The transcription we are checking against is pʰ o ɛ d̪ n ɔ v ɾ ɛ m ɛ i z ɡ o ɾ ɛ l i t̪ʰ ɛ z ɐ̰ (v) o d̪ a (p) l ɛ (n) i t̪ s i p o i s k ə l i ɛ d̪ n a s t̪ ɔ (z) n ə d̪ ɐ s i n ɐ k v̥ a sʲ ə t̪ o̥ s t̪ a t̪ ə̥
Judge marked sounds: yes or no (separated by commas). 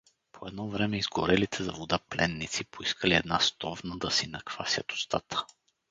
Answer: yes, yes, no, no